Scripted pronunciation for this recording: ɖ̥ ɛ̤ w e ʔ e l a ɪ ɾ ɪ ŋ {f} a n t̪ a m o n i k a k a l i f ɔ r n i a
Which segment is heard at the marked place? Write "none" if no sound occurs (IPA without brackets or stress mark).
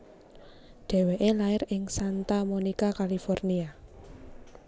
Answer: s